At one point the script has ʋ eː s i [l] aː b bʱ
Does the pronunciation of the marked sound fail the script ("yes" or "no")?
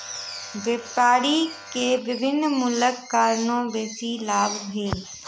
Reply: no